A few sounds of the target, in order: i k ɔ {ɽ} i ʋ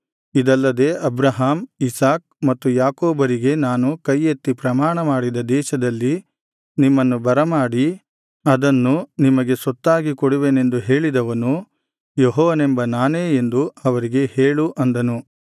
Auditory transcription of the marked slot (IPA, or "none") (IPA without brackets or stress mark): ɽ